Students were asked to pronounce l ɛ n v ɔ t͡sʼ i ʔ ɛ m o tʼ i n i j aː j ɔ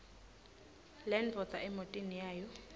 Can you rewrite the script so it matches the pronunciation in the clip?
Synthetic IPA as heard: l ɛ n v ɔ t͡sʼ a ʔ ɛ m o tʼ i n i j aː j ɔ